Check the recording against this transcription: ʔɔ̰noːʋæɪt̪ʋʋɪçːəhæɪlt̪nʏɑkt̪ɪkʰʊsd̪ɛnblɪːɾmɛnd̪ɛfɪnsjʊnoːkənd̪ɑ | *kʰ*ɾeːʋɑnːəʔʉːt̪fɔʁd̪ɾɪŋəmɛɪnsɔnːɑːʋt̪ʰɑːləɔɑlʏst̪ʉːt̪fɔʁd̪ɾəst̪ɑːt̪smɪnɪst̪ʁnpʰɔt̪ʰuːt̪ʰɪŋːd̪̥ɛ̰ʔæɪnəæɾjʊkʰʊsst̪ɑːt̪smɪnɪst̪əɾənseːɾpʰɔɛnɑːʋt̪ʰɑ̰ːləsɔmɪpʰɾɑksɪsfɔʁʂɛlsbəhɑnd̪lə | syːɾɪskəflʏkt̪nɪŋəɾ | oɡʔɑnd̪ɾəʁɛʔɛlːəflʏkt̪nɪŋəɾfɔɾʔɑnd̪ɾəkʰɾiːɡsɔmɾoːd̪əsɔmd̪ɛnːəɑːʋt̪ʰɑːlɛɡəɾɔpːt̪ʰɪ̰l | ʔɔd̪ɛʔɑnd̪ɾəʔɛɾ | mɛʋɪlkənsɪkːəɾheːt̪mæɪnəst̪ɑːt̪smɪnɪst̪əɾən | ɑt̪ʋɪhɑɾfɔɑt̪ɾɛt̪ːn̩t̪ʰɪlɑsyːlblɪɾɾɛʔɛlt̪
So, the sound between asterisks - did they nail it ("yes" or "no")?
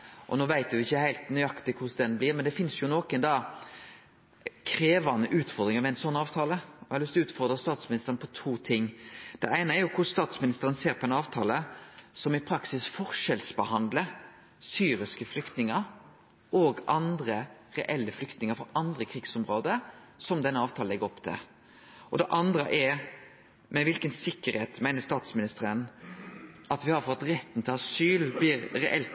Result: yes